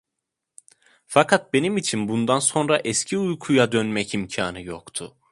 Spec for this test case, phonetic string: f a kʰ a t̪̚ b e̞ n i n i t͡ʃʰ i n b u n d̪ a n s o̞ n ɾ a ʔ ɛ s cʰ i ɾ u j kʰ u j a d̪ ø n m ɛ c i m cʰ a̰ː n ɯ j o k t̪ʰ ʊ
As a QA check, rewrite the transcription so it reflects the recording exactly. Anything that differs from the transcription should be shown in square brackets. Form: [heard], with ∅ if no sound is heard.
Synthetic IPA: f a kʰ a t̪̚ b e̞ n i [m] i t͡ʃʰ i n b u n d̪ a n s o̞ n ɾ a ʔ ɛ s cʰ i [∅] u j kʰ u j a d̪ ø n m ɛ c i m cʰ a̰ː n ɯ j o k t̪ʰ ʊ